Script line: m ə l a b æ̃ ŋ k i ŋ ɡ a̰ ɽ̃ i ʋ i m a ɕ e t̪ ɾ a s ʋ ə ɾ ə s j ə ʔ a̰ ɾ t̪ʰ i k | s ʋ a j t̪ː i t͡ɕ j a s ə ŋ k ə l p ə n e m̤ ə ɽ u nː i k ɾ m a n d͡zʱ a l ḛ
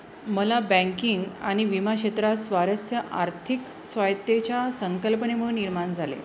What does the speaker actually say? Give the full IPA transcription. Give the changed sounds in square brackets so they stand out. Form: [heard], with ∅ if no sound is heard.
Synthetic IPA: m ə l a b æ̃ ŋ k i ŋ ɡ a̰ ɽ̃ i ʋ i m a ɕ e t̪ ɾ a s ʋ [a] ɾ ə s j ə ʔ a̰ ɾ t̪ʰ i k | s ʋ a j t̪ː [e] t͡ɕ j a s ə ŋ k ə l p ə n e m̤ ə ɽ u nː i [∅] ɾ m a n d͡zʱ a l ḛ

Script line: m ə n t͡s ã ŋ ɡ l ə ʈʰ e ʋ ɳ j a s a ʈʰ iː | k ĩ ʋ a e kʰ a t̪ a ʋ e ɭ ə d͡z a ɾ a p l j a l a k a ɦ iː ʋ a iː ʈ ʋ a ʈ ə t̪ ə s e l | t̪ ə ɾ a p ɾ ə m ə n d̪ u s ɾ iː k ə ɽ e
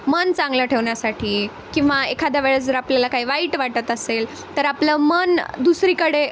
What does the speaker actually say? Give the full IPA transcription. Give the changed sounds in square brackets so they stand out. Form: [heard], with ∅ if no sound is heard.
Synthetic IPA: m ə n t͡s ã ŋ ɡ l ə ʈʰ e ʋ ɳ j a s a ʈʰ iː | k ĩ ʋ a e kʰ a [d̪] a ʋ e ɭ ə d͡z [ə] ɾ a p l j a l a k a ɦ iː ʋ a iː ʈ ʋ a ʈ ə t̪ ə s e l | t̪ ə ɾ a p [l] ə m ə n d̪ u s ɾ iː k ə ɽ e

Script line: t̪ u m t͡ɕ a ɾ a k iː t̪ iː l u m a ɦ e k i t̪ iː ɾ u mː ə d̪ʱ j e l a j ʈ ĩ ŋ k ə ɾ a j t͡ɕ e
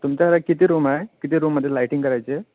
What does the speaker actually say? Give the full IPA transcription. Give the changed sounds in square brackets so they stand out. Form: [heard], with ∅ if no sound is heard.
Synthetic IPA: t̪ u m t͡ɕ a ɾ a k [i] t̪ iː [ɾ] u m a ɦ e k i t̪ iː ɾ u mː ə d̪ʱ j e l a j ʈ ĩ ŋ k ə ɾ a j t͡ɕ e

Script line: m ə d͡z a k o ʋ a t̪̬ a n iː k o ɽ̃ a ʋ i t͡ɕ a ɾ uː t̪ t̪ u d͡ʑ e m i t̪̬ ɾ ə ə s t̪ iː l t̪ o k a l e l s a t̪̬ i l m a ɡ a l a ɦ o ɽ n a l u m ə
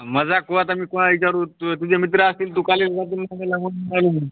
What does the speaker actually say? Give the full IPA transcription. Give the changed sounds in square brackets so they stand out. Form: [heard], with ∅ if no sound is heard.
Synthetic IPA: m ə d͡z a k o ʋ a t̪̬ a [m] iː k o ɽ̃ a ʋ i t͡ɕ a ɾ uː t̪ t̪ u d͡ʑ e m i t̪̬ ɾ ə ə s t̪ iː l t̪ [u] k a l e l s a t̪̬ i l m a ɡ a l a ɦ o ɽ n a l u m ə

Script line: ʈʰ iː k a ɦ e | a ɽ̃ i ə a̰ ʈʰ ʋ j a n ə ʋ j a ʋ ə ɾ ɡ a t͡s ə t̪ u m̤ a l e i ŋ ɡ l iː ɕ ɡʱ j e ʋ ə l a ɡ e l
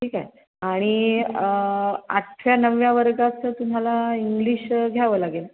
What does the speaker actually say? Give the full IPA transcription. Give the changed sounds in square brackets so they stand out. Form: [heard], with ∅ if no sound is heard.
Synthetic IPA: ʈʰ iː k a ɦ e | a ɽ̃ i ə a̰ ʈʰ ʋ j a n ə ʋ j a ʋ ə ɾ ɡ a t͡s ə t̪ u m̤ a l [a] i ŋ ɡ l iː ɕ ɡʱ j [a] ʋ ə l a ɡ e l

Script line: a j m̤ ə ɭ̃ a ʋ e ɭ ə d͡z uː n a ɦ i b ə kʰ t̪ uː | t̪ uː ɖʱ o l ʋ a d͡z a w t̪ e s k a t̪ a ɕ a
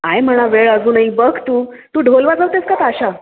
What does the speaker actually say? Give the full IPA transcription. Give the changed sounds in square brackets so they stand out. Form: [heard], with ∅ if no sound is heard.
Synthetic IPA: a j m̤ ə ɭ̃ a ʋ e ɭ ə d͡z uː n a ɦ i b ə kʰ t̪ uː | t̪ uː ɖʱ o l ʋ a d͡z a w t̪ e s k a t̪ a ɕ a

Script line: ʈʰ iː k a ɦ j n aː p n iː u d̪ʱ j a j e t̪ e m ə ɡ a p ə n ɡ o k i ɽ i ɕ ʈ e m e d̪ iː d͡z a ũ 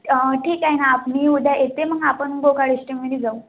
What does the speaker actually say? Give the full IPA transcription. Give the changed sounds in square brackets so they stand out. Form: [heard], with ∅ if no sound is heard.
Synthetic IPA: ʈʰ iː k a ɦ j n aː p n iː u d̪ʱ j a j e t̪ e m ə ɡ a p ə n ɡ o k [a] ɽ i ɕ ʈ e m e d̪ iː d͡z a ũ

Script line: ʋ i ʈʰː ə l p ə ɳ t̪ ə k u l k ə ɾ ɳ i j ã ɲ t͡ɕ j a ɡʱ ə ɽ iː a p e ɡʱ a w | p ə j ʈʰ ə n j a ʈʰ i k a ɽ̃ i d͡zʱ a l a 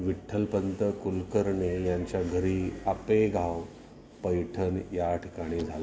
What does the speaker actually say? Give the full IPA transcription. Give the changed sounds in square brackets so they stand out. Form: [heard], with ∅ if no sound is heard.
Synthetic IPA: ʋ i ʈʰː ə l p ə [n] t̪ ə k u l k ə ɾ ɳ [e] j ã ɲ t͡ɕ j a ɡʱ ə [ɾ] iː a p e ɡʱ a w | p ə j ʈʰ ə n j a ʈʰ i k a ɽ̃ i d͡zʱ a l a

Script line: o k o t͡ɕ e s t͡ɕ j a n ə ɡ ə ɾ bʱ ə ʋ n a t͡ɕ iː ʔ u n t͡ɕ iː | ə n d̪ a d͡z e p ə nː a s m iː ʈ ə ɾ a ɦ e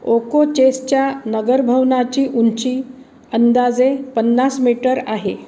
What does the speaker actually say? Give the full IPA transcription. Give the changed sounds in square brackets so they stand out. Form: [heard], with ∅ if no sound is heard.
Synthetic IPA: o k o t͡ɕ e s t͡ɕ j a n ə ɡ ə ɾ bʱ ə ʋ n a t͡ɕ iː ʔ u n t͡ɕ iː | ə n d̪ a d͡z e p ə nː a s m [i] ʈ ə ɾ a ɦ e

